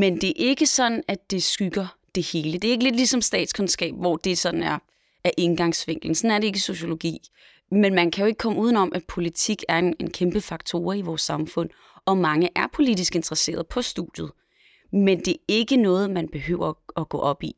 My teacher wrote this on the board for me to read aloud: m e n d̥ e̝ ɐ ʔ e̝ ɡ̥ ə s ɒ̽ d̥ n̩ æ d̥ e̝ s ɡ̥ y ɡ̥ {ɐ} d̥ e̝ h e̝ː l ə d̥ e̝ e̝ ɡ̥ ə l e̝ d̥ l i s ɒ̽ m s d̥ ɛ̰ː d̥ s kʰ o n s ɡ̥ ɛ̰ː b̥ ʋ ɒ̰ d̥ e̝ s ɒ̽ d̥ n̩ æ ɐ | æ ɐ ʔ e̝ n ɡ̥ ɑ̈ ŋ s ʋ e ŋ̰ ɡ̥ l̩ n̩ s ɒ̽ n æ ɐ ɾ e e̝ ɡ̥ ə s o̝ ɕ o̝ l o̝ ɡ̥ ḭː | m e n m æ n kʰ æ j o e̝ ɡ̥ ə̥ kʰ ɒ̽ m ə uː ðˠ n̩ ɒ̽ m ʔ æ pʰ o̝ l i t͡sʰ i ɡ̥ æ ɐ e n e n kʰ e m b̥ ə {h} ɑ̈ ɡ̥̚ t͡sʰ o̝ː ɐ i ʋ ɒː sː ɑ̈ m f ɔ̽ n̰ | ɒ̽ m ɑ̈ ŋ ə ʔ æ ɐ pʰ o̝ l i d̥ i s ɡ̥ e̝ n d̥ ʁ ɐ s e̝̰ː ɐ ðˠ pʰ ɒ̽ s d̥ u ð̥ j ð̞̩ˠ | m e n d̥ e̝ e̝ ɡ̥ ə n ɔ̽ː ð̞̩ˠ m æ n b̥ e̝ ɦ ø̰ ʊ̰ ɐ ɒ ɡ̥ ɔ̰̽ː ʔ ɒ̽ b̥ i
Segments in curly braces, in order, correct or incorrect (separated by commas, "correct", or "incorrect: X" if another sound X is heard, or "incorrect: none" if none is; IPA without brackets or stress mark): correct, incorrect: f